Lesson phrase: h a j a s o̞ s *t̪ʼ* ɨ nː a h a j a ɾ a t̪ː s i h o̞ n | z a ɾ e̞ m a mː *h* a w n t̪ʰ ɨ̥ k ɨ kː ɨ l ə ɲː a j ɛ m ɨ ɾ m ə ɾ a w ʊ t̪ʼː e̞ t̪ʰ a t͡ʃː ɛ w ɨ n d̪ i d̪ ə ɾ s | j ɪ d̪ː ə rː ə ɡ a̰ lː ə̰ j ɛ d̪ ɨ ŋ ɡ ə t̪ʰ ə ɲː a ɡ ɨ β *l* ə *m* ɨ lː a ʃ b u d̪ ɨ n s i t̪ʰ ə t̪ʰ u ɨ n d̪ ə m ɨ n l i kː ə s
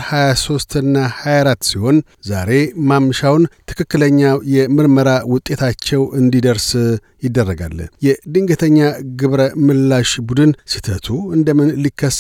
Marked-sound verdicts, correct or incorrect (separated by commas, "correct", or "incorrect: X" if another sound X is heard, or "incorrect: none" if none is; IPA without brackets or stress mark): incorrect: t̪, incorrect: ʃ, incorrect: ɾ, correct